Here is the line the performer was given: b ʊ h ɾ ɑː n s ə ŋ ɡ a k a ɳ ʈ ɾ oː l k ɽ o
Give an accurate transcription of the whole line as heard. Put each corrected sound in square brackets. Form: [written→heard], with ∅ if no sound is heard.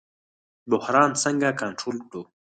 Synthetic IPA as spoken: b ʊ h ɾ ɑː n s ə ŋ ɡ a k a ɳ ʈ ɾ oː l k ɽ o

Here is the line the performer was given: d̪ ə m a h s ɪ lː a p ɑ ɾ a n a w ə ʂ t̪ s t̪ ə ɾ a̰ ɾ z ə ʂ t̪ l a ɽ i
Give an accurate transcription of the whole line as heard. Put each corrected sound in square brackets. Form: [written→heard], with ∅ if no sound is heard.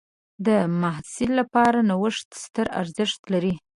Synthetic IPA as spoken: d̪ ə m a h s ɪ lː a p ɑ ɾ a n a w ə ʂ t̪ s t̪ ə ɾ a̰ ɾ z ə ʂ t̪ l a [ɽ→ɾ] i

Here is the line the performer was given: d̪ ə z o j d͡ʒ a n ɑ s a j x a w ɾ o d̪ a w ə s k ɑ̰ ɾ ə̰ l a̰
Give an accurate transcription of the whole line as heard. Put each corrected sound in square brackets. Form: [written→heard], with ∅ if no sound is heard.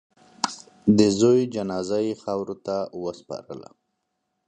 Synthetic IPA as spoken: d̪ ə z o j d͡ʒ a n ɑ [s→z] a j x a w ɾ o [d̪→t̪] a w ə s [k→p] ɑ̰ ɾ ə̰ l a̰

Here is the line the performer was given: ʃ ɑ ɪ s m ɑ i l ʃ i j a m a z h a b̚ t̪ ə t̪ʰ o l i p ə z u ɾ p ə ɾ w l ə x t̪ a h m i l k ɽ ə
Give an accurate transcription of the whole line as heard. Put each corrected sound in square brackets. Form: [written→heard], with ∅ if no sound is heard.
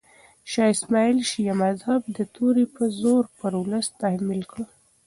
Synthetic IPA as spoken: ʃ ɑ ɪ s m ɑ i l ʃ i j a m a z h a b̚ [t̪→d̪] ə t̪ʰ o [l→ɾ] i p ə z [u→o] ɾ p ə ɾ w l ə [x→s] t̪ a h m i l k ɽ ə

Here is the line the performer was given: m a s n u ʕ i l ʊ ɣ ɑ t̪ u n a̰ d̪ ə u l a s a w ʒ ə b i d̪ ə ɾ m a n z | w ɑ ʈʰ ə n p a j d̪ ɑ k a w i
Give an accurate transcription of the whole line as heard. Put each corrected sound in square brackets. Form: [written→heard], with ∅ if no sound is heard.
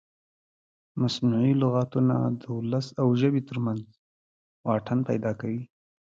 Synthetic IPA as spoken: m a s n u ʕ i l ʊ ɣ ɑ t̪ u n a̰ d̪ ə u l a s a w ʒ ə b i [d̪→t̪] ə ɾ m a n z | w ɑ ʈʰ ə n p a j d̪ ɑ k a w i

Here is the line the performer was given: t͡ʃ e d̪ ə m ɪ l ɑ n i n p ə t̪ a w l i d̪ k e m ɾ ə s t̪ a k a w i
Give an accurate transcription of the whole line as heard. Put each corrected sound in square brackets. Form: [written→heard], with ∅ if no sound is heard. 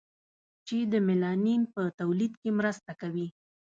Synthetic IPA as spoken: t͡ʃ e d̪ ə m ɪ l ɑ n i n p ə t̪ a w l i d̪ k e m ɾ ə s t̪ a k a w i

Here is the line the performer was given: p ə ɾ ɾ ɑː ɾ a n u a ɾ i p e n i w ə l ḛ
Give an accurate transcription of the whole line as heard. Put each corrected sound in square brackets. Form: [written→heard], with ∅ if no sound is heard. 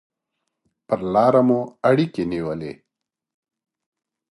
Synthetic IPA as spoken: p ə ɾ [ɾ→l] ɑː ɾ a [n→m] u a [ɾ→ɽ] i [p→k] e n i w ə l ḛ

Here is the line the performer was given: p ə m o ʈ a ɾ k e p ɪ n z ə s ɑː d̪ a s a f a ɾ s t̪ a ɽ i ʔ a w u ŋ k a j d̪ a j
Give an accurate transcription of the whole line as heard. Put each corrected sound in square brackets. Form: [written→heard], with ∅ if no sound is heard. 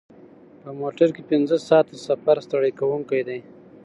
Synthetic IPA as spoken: p ə m o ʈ a ɾ k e p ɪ n z ə s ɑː [d̪→t̪] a s a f a ɾ s t̪ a ɽ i [ʔ→k] a w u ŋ k a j d̪ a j

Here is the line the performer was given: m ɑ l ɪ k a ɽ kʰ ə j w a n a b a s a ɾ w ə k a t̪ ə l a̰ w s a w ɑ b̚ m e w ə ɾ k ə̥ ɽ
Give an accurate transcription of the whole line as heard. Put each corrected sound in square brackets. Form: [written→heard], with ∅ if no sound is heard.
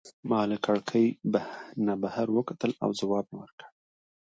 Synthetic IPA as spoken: m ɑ l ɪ k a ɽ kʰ ə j [w→b] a n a b a [s→h] a ɾ w ə k a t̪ ə l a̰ w [s→z] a w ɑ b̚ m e w ə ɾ k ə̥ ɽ

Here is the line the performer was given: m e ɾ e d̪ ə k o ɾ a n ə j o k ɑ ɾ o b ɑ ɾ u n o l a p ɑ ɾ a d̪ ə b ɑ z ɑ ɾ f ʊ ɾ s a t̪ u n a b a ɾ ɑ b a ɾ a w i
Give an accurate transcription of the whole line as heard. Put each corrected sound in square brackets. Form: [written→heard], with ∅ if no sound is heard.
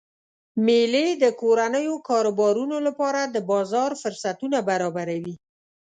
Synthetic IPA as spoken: m e [ɾ→l] e d̪ ə k o ɾ a n ə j o k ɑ ɾ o b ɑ ɾ u n o l a p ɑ ɾ a d̪ ə b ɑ z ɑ ɾ f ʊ ɾ s a t̪ u n a b a ɾ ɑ b a ɾ a w i

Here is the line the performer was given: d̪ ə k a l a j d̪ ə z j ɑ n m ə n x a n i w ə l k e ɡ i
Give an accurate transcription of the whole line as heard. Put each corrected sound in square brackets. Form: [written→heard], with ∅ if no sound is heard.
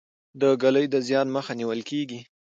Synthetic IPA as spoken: d̪ ə [k→ɡ] a l [a→ə] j d̪ ə z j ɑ n m ə [n→∅] x a n i w ə l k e ɡ i

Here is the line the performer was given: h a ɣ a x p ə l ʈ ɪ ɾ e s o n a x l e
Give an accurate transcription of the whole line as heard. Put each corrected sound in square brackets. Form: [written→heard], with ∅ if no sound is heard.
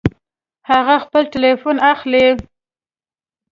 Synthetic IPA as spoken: h a ɣ a x p ə l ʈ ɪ [ɾ→l] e [s→f] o n a x l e

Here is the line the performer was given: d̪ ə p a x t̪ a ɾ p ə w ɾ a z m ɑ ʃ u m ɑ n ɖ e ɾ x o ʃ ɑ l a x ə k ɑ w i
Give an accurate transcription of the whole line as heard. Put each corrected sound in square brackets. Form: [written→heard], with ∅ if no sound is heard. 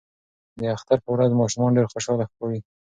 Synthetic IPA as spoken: d̪ ə [p→∅] a x t̪ a ɾ p ə w ɾ a z m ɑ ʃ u m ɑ n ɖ e ɾ x o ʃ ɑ l a x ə k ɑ w i

